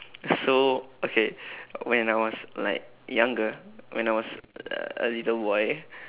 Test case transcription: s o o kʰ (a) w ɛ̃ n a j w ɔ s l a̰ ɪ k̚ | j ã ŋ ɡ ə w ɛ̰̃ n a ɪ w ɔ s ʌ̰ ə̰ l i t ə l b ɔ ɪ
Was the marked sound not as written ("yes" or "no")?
yes